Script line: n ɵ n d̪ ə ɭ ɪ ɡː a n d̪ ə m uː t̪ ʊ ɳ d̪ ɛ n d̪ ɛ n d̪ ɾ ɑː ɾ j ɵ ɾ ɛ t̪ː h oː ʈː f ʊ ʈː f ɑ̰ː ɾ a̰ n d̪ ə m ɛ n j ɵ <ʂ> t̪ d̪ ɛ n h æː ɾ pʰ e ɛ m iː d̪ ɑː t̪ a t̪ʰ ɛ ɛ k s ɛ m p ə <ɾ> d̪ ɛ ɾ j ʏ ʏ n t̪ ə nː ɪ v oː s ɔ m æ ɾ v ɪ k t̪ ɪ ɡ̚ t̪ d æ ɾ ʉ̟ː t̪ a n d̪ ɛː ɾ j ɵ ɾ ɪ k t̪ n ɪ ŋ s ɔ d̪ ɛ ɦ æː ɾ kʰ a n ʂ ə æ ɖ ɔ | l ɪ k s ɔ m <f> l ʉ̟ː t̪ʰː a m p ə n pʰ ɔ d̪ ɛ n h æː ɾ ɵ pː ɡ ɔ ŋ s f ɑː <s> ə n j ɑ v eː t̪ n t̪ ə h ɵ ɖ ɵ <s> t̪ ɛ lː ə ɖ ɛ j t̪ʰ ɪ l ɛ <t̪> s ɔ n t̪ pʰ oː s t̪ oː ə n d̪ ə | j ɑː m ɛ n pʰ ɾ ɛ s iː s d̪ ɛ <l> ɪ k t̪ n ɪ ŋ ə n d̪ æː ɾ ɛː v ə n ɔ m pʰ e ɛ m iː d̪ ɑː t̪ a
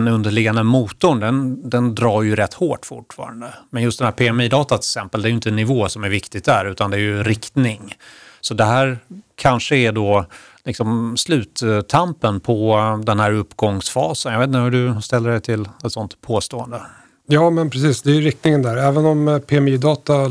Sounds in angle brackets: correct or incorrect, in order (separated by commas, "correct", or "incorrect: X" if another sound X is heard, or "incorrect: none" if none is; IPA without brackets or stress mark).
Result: incorrect: s, incorrect: l, incorrect: s, correct, correct, correct, incorrect: ɾ